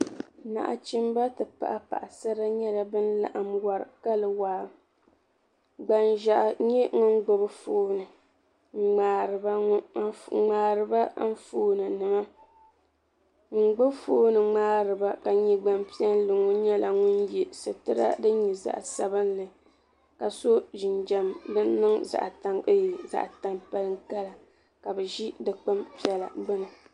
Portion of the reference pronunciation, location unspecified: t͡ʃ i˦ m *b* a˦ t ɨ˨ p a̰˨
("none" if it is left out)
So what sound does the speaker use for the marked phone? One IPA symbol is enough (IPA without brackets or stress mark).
b